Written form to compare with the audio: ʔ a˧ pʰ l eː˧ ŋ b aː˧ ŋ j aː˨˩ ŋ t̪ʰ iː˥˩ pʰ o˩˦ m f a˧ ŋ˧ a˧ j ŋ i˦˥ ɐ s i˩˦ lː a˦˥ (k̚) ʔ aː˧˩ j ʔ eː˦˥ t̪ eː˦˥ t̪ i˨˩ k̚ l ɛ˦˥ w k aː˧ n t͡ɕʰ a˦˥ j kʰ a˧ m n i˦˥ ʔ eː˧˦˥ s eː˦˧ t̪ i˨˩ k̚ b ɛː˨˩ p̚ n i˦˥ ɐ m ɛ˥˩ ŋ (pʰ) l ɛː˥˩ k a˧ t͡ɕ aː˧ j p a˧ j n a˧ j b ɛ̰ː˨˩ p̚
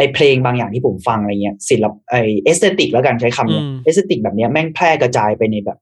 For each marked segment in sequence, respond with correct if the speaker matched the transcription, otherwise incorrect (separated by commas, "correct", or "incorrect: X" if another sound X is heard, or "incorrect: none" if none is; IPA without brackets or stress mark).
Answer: incorrect: p̚, correct